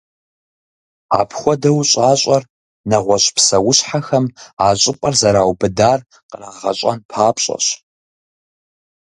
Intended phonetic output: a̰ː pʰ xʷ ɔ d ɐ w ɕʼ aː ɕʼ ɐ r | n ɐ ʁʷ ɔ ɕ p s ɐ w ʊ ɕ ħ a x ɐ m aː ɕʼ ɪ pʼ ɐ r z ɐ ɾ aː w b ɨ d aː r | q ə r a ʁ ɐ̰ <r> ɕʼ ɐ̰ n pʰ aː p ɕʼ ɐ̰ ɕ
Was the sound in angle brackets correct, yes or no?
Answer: no